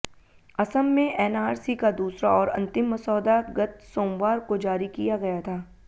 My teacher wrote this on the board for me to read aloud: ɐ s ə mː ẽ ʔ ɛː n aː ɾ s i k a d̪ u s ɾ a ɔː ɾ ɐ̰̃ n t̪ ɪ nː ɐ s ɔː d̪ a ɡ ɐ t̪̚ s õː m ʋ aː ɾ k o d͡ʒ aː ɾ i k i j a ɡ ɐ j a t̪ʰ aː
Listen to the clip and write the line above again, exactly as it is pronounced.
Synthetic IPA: ɐ s ə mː ẽ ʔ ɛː n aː ɾ s i k a d̪ uː s ɾ a ɔː ɾ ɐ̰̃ n t̪ ɪ mː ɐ s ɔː d̪ a ɡ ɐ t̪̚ s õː m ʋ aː ɾ k o d͡ʒ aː ɾ i k i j a ɡ ɐ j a t̪ʰ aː

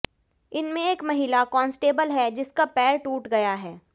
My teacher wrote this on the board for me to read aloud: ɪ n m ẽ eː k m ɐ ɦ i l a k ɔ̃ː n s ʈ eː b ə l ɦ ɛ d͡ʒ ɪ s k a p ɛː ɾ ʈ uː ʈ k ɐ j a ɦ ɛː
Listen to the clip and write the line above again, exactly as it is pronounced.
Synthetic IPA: ɪ n m ẽ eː k m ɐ ɦ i l a k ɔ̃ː n s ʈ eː b ə l ɦ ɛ d͡ʒ ɪ s k a p ɛː ɾ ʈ uː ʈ ɡ ɐ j a ɦ ɛː

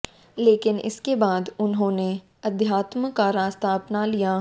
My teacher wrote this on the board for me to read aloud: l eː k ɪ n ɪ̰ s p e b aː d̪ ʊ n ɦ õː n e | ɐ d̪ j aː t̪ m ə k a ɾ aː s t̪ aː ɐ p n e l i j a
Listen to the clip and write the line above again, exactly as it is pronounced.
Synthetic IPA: l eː k ɪ n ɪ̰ s k e b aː d̪ ʊ n ɦ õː n e | ɐ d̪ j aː t̪ m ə k a ɾ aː s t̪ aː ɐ p n a l i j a

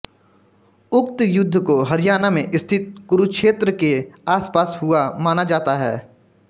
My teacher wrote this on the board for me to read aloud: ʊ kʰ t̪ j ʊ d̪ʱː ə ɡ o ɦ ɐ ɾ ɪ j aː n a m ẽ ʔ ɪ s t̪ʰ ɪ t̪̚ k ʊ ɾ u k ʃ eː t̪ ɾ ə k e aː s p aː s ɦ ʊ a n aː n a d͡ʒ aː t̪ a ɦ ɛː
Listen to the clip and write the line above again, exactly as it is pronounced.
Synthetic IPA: ʊ k t̪ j ʊ d̪ʱː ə k o ɦ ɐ ɾ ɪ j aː n a m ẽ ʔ ɪ s t̪ʰ ɪ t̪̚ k ʊ ɾ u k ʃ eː t̪ ɾ ə k e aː s p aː s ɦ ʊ a m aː n a d͡ʒ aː t̪ a ɦ ɛː

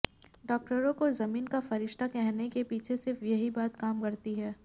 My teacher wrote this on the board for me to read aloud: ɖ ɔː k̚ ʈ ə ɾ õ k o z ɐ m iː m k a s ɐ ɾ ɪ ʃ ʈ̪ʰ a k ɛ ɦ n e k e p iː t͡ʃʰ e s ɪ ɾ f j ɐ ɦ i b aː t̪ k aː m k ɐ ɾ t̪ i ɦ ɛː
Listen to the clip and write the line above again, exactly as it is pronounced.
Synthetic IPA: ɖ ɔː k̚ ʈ ə ɾ õ k o z ɐ m iː n k a f ɐ ɾ ɪ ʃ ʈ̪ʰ a k ɛ ɦ n e k e p iː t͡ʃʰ e s ɪ ɾ f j ɐ ɦ i b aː t̪ k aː m k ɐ ɾ t̪ i ɦ ɛː

